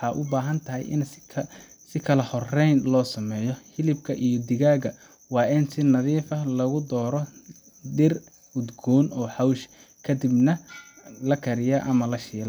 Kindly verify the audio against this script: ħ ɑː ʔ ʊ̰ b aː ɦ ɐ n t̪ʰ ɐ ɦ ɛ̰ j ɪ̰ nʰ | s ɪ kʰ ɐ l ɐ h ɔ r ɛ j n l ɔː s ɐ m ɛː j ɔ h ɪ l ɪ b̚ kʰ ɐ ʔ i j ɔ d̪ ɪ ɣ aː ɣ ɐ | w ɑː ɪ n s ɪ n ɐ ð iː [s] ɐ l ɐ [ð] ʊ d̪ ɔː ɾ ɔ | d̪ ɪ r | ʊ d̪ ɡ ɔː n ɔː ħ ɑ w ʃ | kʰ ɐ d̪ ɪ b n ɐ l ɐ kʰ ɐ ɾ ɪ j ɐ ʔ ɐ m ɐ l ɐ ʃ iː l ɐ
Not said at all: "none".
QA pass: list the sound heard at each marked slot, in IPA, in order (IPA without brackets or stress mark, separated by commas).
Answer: f, ɣ